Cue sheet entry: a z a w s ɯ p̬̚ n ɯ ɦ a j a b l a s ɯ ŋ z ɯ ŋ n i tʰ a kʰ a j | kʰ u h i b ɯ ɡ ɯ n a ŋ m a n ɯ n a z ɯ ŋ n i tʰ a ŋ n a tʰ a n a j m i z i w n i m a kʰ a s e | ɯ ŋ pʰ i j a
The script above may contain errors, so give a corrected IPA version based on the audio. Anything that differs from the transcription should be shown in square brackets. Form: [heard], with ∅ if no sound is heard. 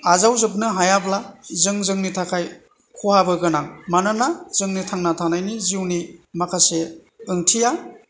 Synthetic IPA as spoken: a z a w [z] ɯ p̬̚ n ɯ ɦ a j a b l a [z] ɯ ŋ z ɯ ŋ n i tʰ a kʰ a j | kʰ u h [a] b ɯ ɡ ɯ n a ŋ m a n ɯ n a z ɯ ŋ n i tʰ a ŋ n a tʰ a n a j [n] i z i w n i m a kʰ a s e | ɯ ŋ [tʰ] i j a